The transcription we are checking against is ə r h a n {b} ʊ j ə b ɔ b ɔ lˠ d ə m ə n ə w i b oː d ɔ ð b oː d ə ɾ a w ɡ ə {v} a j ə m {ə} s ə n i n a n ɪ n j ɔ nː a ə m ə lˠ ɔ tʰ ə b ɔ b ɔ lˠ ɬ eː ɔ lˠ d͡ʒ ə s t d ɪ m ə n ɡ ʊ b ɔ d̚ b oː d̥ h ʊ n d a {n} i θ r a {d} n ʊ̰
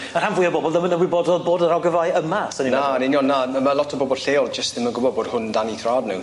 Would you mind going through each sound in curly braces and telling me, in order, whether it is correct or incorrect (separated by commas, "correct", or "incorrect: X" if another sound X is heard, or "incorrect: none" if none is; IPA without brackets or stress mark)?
incorrect: v, correct, incorrect: a, correct, correct